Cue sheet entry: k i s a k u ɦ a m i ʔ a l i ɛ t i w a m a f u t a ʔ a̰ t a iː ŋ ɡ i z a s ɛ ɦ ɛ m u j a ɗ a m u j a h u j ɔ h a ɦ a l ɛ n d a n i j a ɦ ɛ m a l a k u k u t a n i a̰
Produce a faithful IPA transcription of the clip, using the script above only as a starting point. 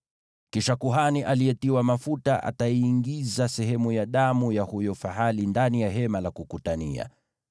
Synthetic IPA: k i ʃ a k u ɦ a n i ʔ a l i ɛ t i w a m a f u t a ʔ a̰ t a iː ŋ ɡ i z a s ɛ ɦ ɛ m u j a ɗ a m u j a h u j ɔ f a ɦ a l i n d a n i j a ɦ ɛ m a l a k u k u t a n i a̰